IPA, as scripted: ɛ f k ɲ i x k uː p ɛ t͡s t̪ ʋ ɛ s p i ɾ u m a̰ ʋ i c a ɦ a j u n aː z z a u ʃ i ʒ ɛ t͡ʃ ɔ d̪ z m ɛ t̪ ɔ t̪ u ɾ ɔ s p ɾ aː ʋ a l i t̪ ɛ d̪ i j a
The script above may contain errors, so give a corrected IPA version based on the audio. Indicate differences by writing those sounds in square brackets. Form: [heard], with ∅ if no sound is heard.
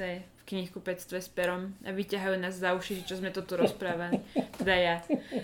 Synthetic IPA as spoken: ɛ f k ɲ i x k [u] p ɛ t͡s t̪ ʋ ɛ s p [ɛ] ɾ [ɔ] m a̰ ʋ i c a ɦ a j u n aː z z a u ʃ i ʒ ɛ t͡ʃ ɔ [∅] z m ɛ t̪ ɔ t̪ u ɾ ɔ s p ɾ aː ʋ a l i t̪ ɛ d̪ [a] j a